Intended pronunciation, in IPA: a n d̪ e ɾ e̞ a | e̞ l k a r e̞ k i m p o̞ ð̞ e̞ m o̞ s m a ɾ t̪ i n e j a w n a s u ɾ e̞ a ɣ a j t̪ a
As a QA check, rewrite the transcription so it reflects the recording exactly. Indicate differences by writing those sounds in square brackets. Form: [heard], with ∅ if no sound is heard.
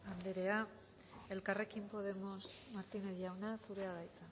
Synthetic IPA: a n d̪ e ɾ e̞ a | e̞ l k a r e̞ k i m p o̞ ð̞ e̞ m o̞ s m a ɾ t̪ i n e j a w n a s u ɾ e̞ a [ð] a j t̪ a